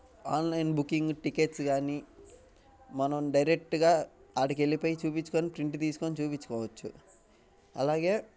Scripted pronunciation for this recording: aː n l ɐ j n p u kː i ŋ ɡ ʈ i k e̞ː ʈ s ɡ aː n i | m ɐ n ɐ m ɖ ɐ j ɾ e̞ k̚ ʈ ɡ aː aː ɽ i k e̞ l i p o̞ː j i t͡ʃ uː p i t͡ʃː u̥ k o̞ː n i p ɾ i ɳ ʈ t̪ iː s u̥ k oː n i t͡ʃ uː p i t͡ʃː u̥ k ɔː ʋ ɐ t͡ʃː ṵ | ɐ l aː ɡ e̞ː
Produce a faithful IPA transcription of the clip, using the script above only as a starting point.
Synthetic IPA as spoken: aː n l ɐ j n b u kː i ŋ ɡ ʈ i k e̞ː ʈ s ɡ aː n i | m ɐ n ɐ m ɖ ɐ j ɾ e̞ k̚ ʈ ɡ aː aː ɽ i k e̞ l i p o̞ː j i t͡ʃ uː p i t͡ʃː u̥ k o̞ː n i p ɾ i ɳ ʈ t̪ iː s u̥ k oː n i t͡ʃ uː p i t͡ʃː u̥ k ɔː ʋ ɐ t͡ʃː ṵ | ɐ l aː ɡ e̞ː